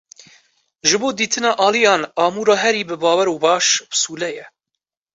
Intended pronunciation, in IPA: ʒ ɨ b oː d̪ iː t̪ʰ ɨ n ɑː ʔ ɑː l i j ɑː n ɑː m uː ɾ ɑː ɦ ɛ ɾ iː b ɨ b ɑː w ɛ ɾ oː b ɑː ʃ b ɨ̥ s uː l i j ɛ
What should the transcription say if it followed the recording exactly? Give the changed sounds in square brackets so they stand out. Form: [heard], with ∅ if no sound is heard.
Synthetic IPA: ʒ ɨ b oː d̪ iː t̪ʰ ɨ n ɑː ʔ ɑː l i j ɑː n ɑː m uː ɾ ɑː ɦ ɛ ɾ iː b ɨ b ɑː w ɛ ɾ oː b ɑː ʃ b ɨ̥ s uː l [ɛ] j ɛ